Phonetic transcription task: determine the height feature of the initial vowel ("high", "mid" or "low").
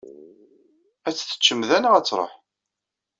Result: low